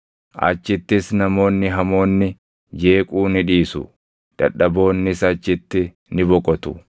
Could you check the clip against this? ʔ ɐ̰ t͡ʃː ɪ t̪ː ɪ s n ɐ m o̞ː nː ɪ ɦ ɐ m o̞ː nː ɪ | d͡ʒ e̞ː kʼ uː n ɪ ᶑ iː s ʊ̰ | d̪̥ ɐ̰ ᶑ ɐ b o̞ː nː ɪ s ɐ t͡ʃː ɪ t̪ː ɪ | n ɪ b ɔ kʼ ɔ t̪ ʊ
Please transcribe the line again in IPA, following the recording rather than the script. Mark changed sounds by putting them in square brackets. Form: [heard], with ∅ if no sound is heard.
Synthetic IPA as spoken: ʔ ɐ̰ t͡ʃː ɪ t̪ː ɪ s n ɐ m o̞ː nː ɪ ɦ ɐ m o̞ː nː ɪ | d͡ʒ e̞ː kʼ uː n ɪ ᶑ iː s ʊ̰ | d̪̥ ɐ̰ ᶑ ɐ b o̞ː nː ɪ s ɐ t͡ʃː ɪ t̪ː ɪ | n ɪ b ɔ kʼ ɔ t̪ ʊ